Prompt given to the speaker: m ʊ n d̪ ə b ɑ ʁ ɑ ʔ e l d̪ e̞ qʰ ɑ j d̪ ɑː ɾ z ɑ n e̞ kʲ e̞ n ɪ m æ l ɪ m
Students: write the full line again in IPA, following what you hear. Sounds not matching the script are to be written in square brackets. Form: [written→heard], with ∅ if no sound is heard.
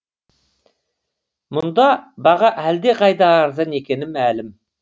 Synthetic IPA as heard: m ʊ n d̪ [ə→ɑ] b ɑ ʁ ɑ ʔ [e→æ] l d̪ e̞ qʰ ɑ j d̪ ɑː ɾ z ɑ n e̞ kʲ e̞ n ɪ m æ l ɪ m